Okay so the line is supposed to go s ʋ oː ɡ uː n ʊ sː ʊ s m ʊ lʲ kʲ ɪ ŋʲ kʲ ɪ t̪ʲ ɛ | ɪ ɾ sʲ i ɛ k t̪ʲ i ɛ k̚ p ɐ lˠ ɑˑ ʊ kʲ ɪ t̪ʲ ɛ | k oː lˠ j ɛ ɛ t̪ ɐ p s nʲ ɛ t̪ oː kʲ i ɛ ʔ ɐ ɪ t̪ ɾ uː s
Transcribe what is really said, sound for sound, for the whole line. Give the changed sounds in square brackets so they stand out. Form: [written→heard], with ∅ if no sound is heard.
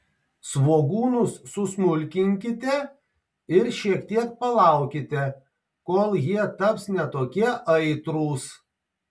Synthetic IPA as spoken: s ʋ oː ɡ uː n ʊ sː ʊ s m ʊ lʲ kʲ ɪ ŋʲ kʲ ɪ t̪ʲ ɛ | ɪ ɾ [sʲ→ʃʲ] i ɛ k t̪ʲ i ɛ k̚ p ɐ lˠ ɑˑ ʊ kʲ ɪ t̪ʲ ɛ | k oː lˠ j [ɛ→i] ɛ t̪ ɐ p s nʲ ɛ t̪ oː kʲ i ɛ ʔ ɐ ɪ t̪ ɾ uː s